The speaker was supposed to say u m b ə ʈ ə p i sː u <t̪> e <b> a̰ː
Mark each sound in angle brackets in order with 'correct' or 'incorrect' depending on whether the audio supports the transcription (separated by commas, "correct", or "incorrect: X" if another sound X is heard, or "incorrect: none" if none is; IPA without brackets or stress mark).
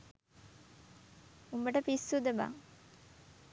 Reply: incorrect: d̪, correct